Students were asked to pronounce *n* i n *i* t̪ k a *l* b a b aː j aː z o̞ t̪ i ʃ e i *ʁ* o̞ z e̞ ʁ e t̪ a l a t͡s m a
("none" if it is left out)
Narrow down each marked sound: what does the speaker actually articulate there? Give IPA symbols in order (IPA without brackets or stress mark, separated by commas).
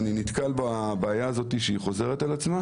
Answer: n, i, l, χ